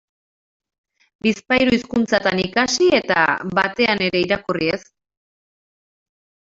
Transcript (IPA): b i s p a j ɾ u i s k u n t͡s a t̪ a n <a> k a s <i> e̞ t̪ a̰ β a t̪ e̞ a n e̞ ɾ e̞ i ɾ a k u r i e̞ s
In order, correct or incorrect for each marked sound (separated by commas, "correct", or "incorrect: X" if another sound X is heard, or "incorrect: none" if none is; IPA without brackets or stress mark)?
incorrect: i, correct